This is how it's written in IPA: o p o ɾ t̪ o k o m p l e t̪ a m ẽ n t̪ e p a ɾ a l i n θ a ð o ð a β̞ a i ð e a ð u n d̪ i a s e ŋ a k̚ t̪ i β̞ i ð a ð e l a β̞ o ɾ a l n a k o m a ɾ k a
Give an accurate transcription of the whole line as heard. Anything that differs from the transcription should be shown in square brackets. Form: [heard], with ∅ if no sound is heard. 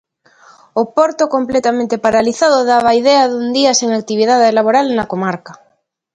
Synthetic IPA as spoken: o p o ɾ t̪ o k o m p l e t̪ a m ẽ n t̪ e p a ɾ a l i [∅] θ a ð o ð a β̞ a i ð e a ð u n d̪ i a s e ŋ a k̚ t̪ i β̞ i ð a ð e l a β̞ o ɾ a l n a k o m a ɾ k a